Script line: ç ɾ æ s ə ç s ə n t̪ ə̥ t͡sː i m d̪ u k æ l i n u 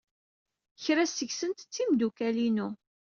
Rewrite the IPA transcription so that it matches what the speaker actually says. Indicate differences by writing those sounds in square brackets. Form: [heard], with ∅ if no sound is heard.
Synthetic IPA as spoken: ç ɾ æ s ə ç s ə n t̪ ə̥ t͡sː i m d̪ u k æ l i n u